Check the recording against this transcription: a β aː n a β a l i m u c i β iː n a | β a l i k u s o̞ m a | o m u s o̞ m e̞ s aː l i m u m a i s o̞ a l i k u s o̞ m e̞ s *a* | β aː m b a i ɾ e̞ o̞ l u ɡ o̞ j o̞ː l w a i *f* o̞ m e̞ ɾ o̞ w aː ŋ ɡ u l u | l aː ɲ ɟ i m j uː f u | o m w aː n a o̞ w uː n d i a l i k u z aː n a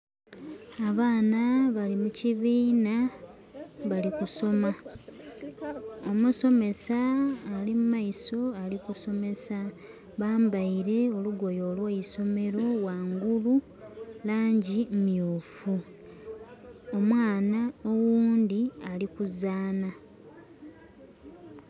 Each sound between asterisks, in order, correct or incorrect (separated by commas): correct, incorrect